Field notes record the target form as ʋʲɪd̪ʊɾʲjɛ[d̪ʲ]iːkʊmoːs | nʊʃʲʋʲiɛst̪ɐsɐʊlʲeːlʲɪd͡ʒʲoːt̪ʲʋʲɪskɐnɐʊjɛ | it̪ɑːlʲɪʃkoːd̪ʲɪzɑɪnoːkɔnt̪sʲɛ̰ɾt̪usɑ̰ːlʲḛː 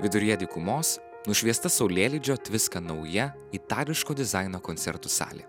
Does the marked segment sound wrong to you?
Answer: no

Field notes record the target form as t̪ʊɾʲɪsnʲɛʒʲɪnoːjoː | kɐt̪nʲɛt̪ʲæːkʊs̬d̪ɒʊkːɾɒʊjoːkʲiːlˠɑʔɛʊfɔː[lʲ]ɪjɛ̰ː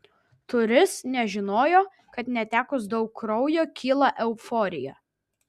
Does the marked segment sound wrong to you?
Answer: yes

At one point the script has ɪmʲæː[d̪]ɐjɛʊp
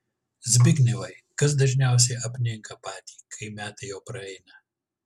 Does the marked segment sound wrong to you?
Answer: yes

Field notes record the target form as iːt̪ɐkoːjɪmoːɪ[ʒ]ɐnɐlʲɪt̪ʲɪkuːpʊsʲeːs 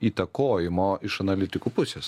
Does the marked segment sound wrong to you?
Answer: yes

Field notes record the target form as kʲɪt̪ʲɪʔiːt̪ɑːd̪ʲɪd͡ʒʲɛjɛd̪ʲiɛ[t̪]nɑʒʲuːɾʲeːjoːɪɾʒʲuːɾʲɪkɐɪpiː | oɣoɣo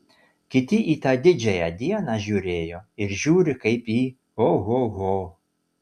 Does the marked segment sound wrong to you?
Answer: yes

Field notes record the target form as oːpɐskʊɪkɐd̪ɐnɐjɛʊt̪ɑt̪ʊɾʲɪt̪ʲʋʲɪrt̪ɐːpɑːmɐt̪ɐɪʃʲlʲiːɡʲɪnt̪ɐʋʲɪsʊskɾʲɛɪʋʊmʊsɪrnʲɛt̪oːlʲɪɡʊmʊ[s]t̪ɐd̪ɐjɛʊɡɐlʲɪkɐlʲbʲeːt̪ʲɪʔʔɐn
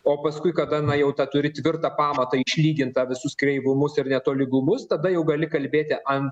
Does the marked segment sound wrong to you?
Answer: no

